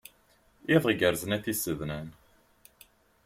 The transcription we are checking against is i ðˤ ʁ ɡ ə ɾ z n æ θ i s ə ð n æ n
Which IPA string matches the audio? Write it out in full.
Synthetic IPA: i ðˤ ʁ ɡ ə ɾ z n æ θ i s ə ð n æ n